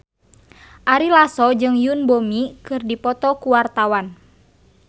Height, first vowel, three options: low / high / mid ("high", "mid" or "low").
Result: low